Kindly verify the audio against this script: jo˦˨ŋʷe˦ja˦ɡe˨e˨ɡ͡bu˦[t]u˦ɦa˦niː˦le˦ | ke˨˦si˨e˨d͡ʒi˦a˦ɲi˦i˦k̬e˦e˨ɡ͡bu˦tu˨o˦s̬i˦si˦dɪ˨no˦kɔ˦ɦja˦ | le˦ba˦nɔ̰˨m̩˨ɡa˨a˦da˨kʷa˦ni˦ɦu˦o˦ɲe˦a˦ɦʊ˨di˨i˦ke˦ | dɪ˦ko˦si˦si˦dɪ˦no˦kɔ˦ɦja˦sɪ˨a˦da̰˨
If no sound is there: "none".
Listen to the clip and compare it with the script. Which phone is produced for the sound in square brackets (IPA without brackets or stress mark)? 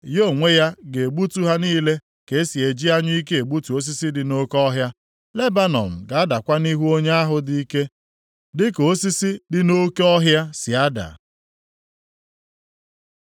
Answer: t